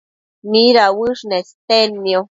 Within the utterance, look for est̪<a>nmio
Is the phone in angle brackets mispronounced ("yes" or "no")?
yes